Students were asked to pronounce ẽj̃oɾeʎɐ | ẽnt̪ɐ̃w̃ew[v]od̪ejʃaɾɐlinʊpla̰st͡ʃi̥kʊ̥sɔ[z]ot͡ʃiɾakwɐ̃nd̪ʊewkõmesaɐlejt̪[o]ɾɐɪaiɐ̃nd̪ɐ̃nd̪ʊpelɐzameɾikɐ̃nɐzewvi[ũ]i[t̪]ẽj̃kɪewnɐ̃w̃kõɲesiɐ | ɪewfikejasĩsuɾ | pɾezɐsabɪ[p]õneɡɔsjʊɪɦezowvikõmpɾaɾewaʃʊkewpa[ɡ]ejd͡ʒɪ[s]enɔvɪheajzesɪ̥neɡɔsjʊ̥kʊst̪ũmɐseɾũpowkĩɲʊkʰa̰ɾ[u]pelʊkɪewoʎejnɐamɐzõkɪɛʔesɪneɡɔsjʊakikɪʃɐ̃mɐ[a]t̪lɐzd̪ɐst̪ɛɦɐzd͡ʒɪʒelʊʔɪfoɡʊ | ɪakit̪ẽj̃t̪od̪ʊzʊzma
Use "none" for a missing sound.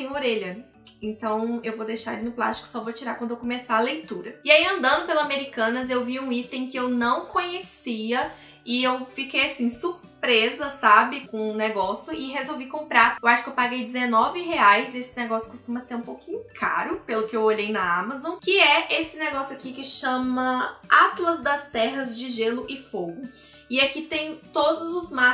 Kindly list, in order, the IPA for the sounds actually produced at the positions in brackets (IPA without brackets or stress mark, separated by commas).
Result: v, v, u, ũ, t̪, k, ɡ, z, ʊ, a